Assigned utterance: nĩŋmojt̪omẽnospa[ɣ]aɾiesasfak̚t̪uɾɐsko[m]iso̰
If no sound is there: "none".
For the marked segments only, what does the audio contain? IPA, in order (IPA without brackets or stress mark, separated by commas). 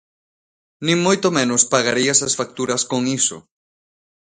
ɣ, ŋ